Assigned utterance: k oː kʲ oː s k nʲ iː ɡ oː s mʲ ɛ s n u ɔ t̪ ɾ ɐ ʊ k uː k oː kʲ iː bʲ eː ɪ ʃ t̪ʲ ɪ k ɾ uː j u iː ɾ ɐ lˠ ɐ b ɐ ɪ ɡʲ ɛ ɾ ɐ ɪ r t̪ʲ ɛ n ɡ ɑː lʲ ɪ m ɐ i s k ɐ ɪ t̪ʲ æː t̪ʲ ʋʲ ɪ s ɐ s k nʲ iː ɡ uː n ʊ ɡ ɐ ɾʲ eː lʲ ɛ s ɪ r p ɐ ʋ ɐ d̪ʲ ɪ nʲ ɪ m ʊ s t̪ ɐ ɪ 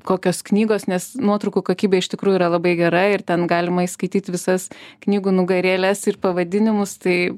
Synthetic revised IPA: k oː kʲ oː s k nʲ iː ɡ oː s nʲ ɛ s n u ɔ t̪ ɾ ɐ ʊ k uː k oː kʲ iː bʲ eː ɪ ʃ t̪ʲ ɪ k ɾ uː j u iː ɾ ɐ lˠ ɐ b ɐ ɪ ɡʲ ɛ ɾ ɐ ɪ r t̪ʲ ɛ n ɡ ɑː lʲ ɪ m ɐ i s k ɐ ɪ t̪ʲ iː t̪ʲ ʋʲ ɪ s ɐ s k nʲ iː ɡ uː n ʊ ɡ ɐ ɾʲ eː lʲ ɛ s ɪ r p ɐ ʋ ɐ d̪ʲ ɪ nʲ ɪ m ʊ s t̪ ɐ ɪ